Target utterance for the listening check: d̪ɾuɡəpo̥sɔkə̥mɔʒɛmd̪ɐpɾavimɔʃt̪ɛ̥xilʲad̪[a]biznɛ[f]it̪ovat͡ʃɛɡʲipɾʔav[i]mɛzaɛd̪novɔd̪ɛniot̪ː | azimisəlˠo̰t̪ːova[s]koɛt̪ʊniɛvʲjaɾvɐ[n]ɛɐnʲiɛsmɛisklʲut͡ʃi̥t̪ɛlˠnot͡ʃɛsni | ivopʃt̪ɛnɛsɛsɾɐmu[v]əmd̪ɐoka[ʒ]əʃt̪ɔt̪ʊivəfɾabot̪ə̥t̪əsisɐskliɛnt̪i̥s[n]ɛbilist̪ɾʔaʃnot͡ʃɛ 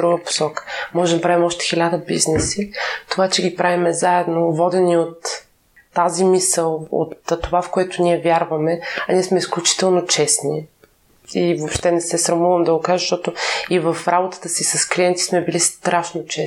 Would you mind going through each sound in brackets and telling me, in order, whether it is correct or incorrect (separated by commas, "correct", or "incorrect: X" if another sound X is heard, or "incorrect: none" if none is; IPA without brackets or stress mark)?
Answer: incorrect: ə, incorrect: s, correct, incorrect: f, incorrect: m, correct, correct, incorrect: m